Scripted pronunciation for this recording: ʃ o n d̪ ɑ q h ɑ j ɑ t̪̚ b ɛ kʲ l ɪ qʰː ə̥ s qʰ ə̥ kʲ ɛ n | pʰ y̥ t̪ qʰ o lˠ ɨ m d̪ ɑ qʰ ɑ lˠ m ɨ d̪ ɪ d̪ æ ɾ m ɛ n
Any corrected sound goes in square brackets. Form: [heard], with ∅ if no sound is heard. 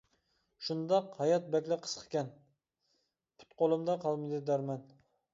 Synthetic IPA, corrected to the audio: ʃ [u] n d̪ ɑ q h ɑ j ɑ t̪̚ b ɛ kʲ l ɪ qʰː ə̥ s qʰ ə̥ kʲ ɛ n | pʰ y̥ t̪ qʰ o lˠ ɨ m d̪ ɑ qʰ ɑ lˠ m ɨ d̪ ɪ d̪ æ ɾ m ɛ n